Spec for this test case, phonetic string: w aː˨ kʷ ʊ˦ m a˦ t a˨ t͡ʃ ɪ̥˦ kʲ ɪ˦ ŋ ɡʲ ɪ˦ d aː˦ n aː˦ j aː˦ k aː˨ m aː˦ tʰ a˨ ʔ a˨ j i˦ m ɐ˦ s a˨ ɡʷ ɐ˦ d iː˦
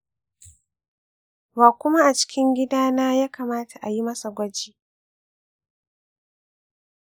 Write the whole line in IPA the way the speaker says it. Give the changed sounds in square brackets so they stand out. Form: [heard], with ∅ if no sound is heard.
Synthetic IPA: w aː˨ kʷ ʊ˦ m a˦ [ʔ] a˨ t͡ʃ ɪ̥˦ kʲ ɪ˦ ŋ ɡʲ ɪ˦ d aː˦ n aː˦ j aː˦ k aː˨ m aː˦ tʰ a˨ ʔ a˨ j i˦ m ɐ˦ s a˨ ɡʷ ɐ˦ [d͡ʒ] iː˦

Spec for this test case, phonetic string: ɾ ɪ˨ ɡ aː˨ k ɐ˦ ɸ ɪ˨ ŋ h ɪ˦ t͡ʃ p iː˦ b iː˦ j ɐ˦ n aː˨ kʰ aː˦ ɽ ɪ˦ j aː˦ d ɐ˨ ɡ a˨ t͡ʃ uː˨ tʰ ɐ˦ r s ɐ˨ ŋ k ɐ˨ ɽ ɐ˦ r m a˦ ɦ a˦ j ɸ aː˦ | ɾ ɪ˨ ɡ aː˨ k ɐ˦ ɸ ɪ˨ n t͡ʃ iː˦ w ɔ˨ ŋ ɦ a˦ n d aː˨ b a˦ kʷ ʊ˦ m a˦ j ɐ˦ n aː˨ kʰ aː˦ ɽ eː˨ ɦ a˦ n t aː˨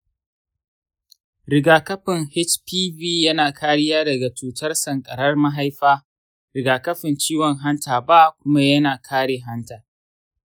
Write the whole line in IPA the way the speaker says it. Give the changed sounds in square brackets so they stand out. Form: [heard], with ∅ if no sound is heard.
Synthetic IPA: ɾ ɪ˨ ɡ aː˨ k ɐ˦ ɸ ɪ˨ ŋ h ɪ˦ t͡ʃ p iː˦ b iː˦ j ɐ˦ n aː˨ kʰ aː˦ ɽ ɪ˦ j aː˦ d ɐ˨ ɡ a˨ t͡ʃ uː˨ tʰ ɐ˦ r s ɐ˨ ŋ [kʼ] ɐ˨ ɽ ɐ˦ r m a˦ ɦ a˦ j ɸ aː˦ | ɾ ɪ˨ ɡ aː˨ k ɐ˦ ɸ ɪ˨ n t͡ʃ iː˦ w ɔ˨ ŋ ɦ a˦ n [t] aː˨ b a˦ kʷ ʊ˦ m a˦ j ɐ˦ n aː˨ kʰ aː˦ ɽ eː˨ ɦ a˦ n t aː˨

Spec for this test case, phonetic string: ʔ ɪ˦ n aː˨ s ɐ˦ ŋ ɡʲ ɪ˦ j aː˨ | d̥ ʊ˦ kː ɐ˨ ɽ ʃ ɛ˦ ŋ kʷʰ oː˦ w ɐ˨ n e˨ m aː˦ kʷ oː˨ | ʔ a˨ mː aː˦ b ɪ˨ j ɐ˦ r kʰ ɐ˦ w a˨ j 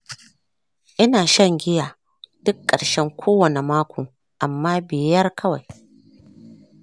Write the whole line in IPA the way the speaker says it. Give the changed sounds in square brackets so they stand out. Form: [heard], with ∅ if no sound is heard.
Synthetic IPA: ʔ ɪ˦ n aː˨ [ʃ] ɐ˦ ŋ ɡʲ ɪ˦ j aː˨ | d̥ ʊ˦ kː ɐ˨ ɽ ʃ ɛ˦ ŋ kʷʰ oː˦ w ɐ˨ n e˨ m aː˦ kʷ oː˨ | ʔ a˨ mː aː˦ b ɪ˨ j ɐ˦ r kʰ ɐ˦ w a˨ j

